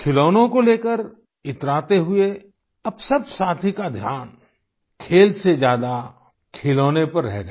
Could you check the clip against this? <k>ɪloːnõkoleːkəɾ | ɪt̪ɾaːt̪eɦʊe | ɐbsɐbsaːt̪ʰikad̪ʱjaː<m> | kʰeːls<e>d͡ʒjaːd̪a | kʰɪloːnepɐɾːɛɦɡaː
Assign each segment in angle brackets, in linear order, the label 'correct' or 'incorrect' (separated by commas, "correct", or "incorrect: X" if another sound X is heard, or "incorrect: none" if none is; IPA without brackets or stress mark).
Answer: incorrect: kʰ, incorrect: n, correct